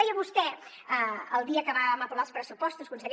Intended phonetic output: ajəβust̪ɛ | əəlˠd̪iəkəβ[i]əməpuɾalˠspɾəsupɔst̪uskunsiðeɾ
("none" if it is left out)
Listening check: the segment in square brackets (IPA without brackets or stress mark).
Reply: a